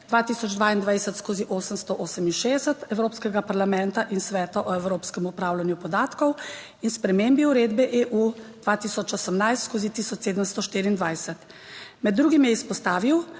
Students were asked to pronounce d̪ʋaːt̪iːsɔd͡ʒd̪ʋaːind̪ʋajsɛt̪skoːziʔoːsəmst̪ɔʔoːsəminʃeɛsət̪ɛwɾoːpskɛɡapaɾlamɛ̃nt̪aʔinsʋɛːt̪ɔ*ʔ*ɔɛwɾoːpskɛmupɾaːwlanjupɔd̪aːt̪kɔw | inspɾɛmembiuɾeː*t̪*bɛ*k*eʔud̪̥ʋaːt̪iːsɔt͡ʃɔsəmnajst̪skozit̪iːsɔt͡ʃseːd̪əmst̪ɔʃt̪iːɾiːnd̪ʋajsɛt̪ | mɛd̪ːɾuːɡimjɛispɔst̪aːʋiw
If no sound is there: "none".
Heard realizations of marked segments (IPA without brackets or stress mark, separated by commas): ʔ, d̪, ʔ